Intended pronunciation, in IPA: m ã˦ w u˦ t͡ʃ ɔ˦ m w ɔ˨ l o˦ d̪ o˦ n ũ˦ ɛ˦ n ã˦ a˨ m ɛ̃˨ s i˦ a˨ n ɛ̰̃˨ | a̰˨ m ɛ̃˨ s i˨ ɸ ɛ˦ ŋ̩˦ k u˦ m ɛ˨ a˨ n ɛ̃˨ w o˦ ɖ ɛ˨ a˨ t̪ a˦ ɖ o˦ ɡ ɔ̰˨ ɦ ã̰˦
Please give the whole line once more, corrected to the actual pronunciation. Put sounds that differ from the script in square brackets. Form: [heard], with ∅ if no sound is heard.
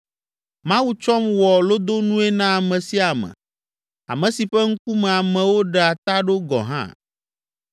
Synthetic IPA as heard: m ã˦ w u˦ t͡ʃ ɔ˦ m w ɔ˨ l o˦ d̪ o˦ n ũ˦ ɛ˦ n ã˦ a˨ m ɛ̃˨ s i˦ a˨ [m] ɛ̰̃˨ | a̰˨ m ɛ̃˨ s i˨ ɸ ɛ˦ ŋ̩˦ k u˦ m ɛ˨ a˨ [m] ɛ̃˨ w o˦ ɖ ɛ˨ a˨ t̪ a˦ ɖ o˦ ɡ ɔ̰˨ ɦ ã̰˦